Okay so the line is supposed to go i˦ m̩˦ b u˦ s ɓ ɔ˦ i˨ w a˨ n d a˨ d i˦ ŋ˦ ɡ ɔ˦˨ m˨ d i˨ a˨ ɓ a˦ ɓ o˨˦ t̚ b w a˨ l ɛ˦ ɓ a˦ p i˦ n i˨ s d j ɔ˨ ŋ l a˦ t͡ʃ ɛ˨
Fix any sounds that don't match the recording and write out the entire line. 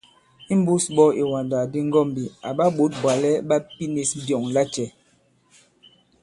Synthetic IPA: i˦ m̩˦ b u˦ s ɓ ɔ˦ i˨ w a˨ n d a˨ d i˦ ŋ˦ ɡ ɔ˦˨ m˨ b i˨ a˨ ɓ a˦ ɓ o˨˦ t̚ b w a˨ l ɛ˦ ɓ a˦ p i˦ n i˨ s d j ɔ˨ ŋ l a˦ t͡ʃ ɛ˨